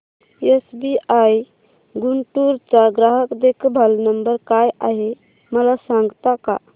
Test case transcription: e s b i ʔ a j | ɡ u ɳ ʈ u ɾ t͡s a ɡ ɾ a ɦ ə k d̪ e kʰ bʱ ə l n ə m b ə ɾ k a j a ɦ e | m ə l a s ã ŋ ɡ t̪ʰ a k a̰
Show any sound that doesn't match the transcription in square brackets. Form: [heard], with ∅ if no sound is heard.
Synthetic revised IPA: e s b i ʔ a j | ɡ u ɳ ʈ u ɾ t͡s a ɡ ɾ a ɦ ə k d̪ e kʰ bʱ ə l n ə m b ə ɾ k a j a ɦ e | m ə l a s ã ŋ ɡ [t̪] a k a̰